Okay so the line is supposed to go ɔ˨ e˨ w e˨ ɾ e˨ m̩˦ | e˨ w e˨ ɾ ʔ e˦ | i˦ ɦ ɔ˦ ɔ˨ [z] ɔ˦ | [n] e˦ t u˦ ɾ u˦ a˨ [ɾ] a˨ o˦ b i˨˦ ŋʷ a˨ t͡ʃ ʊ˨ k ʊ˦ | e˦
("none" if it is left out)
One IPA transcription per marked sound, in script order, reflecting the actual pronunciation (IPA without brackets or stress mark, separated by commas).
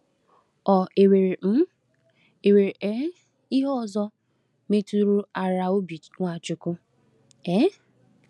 z, m, ɾ